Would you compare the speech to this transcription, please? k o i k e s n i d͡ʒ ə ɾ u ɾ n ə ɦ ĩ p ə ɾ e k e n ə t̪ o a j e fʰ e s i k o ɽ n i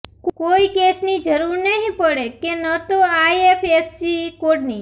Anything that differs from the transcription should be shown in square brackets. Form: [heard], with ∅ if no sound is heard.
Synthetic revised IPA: k o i k e s n i d͡ʒ ə ɾ u ɾ n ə ɦ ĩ p ə [ɽ] e k e n ə t̪ o a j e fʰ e s i k o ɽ n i